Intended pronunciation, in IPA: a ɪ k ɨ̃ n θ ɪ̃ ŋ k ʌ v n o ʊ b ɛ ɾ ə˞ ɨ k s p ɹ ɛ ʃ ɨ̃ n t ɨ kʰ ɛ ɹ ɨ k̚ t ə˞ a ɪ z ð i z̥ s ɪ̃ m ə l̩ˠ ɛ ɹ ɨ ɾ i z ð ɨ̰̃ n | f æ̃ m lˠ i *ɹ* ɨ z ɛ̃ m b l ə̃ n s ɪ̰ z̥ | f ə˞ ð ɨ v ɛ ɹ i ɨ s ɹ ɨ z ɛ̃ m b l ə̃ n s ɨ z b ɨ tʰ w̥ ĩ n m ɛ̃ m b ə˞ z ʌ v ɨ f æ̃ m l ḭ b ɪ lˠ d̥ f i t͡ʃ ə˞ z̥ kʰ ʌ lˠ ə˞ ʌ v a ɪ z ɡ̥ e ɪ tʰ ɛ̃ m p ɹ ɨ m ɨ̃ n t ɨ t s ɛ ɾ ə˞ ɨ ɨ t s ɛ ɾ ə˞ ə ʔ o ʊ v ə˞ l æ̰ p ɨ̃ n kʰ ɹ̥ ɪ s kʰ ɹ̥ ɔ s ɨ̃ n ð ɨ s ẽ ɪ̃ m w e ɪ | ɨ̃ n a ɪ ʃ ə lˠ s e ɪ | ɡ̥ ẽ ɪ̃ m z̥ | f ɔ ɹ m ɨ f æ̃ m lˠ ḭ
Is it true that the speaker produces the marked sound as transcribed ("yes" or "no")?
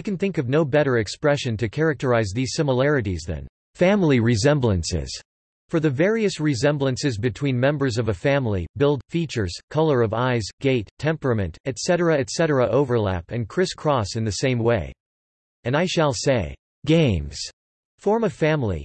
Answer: yes